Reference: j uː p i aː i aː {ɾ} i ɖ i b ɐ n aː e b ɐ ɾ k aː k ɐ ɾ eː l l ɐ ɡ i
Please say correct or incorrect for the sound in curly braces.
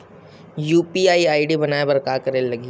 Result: incorrect